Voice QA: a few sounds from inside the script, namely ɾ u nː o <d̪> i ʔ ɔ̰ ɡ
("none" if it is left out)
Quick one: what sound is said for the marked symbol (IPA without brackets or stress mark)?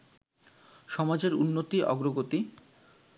t̪